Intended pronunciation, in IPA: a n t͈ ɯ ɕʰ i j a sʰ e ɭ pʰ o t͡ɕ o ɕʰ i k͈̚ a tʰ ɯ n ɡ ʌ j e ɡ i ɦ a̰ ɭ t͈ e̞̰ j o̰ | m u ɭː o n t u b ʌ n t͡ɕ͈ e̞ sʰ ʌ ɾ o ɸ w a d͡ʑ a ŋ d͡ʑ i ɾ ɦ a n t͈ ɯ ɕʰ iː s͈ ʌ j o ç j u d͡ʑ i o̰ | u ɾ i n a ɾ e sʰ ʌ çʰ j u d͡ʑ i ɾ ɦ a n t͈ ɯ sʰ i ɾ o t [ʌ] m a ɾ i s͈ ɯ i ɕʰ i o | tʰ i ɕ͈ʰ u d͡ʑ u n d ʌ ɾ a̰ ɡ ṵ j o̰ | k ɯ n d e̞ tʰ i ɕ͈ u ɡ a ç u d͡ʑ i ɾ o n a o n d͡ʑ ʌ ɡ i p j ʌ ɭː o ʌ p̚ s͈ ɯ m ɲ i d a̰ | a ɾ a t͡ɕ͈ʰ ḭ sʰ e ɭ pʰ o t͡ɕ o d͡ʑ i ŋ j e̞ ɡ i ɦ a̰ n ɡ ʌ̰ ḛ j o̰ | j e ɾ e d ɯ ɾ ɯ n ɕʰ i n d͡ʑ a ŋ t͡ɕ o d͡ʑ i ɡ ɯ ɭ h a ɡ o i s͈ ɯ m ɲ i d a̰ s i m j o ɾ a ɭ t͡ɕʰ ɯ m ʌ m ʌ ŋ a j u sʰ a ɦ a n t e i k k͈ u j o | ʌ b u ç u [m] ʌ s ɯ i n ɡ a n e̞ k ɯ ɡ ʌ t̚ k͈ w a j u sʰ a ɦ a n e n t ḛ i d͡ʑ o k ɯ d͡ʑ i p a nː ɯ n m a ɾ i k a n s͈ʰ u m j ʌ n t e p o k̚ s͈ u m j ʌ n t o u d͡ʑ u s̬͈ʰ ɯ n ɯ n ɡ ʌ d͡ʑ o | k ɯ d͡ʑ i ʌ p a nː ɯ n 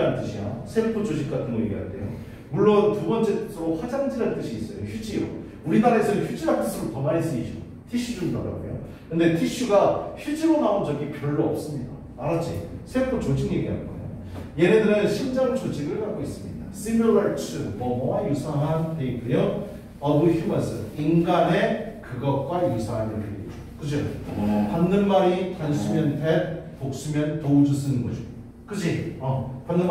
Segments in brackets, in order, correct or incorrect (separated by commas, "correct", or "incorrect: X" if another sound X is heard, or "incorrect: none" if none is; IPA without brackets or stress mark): correct, correct